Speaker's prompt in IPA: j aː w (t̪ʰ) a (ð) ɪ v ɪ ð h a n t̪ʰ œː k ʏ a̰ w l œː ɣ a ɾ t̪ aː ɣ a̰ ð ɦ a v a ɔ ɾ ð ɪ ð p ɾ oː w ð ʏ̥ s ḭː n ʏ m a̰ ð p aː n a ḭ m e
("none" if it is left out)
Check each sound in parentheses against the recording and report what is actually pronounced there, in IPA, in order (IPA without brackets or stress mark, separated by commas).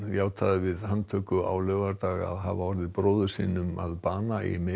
t̪ʰ, ð